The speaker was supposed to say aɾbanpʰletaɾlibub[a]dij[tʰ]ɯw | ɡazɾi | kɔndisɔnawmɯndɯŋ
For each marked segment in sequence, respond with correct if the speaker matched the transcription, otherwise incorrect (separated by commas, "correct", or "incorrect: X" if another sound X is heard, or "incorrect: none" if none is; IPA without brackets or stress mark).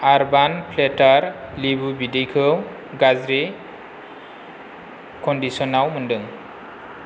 incorrect: i, incorrect: kʰ